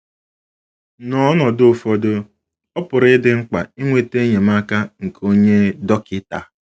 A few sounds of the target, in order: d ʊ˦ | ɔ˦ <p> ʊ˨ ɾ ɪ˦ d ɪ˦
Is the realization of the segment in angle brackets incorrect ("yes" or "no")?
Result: no